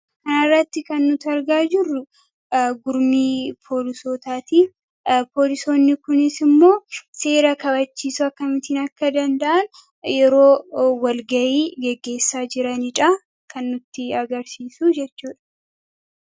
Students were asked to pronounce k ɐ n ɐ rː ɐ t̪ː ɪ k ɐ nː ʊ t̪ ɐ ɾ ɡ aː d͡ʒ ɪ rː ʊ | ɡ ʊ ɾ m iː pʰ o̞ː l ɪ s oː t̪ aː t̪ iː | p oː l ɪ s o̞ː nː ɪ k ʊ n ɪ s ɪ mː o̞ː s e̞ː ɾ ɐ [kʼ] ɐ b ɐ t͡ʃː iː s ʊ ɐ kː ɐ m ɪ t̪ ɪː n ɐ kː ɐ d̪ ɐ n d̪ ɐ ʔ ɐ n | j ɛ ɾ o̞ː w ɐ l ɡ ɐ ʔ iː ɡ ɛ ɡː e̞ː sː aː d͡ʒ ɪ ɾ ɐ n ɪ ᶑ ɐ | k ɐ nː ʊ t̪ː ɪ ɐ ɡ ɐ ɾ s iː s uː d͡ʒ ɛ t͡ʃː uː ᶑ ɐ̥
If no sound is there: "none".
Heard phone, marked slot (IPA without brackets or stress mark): k